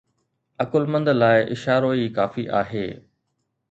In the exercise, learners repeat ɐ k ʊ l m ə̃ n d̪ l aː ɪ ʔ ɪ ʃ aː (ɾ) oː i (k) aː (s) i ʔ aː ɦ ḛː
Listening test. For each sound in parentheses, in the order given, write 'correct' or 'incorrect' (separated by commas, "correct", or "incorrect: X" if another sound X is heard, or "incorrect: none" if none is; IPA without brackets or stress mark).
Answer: correct, correct, incorrect: f